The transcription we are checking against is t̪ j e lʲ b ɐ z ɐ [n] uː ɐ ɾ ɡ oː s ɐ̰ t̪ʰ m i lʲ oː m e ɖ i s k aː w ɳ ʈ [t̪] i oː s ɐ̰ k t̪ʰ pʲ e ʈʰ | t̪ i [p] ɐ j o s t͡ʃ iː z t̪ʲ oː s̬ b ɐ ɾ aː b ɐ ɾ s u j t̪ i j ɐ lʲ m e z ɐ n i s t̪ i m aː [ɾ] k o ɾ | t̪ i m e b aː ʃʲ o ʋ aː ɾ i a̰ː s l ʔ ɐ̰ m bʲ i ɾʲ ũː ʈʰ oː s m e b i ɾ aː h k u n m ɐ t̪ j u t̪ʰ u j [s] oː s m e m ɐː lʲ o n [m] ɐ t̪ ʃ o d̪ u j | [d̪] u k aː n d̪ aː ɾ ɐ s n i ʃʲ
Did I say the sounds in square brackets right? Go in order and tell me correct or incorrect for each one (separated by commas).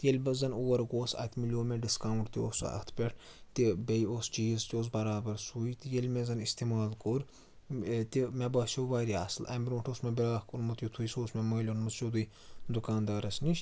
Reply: correct, correct, incorrect, incorrect, correct, correct, correct